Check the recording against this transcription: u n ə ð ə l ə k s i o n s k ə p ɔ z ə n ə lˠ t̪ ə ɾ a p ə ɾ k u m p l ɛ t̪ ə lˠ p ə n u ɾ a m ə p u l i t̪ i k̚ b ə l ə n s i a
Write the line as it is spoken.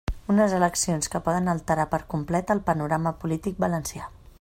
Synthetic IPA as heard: u n ə z ə l ə k s i o n s k ə p ɔ ð ə n ə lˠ t̪ ə ɾ a p ə ɾ k u m p l ɛ t̪ ə lˠ p ə n u ɾ a m ə p u l i t̪ i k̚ b ə l ə n s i a